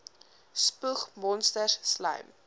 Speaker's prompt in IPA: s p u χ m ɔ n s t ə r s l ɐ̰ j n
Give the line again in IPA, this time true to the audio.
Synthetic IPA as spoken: s p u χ m ɔ n s t ə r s l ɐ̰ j m